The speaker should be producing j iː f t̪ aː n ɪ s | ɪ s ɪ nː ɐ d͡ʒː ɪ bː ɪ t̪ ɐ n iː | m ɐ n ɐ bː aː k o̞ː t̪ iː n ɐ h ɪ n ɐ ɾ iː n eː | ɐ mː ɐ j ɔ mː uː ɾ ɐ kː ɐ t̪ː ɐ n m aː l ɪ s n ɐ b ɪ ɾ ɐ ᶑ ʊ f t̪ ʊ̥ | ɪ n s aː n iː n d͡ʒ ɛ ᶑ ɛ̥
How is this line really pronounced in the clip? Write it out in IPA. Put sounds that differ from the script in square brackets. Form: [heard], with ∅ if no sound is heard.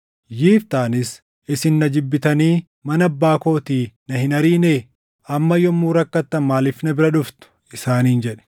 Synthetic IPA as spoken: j iː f t̪ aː n ɪ s | ɪ s ɪ nː ɐ [d͡ʒ] ɪ bː ɪ t̪ ɐ n iː | m ɐ n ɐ bː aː k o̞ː t̪ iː n ɐ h ɪ n ɐ ɾ iː n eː | ɐ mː ɐ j ɔ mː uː ɾ ɐ kː ɐ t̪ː ɐ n m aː l ɪ [f] n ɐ b ɪ ɾ ɐ ᶑ ʊ f t̪ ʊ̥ | ɪ [∅] s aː n iː n d͡ʒ ɛ ᶑ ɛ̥